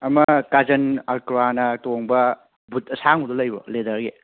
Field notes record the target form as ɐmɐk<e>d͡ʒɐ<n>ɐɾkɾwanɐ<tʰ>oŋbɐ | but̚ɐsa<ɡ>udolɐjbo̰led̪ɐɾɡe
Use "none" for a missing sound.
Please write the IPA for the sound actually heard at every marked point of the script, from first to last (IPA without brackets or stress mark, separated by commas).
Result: a, n, t, ŋ